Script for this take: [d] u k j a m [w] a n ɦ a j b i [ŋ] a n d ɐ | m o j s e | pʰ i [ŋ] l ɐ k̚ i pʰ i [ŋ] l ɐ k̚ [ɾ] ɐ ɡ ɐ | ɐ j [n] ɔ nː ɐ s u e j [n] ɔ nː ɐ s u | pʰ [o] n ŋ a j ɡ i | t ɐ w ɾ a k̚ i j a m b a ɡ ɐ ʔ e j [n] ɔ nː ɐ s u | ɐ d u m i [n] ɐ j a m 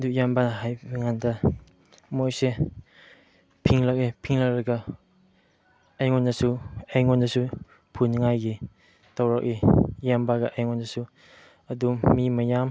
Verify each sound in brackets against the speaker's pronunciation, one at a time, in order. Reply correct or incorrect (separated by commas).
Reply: correct, incorrect, correct, correct, correct, correct, incorrect, incorrect, incorrect, incorrect, incorrect